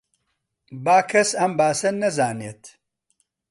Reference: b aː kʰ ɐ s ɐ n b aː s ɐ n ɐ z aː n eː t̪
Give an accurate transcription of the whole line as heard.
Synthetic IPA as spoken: b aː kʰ ɐ s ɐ m b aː s ɐ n ɐ z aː n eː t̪